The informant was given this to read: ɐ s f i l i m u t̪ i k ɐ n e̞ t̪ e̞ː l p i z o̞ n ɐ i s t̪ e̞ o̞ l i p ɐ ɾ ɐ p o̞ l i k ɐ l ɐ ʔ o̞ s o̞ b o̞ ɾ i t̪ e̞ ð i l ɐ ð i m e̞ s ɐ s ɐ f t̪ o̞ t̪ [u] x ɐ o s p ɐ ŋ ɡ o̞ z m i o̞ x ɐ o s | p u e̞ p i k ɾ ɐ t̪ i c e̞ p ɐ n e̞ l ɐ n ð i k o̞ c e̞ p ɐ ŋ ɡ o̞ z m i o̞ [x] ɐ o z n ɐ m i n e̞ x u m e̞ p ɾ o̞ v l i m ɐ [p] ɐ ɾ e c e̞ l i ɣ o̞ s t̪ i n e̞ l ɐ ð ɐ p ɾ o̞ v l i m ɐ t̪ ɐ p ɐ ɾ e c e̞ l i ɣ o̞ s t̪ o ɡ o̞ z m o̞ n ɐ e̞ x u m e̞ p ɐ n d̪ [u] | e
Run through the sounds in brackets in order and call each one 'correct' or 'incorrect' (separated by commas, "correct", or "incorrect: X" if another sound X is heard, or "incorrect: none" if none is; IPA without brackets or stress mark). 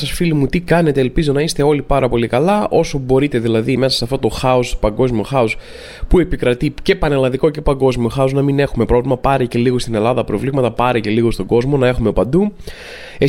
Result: incorrect: o, correct, correct, correct